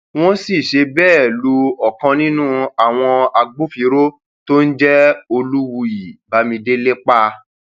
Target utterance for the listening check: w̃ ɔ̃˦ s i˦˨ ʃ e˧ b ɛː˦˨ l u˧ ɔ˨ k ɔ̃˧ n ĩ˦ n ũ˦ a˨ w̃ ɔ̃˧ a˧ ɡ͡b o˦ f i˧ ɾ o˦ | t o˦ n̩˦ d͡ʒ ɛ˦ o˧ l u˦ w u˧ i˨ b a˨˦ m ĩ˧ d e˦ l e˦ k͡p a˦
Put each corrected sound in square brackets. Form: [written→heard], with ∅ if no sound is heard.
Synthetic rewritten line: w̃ ɔ̃˦ s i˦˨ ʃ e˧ b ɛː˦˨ l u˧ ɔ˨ k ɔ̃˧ n ĩ˦ n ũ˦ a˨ w̃ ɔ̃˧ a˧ ɡ͡b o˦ f i˧ ɾ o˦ | t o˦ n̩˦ d͡ʒ ɛ˦ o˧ l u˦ w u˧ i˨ b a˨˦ m ĩ˧ d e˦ l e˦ k͡p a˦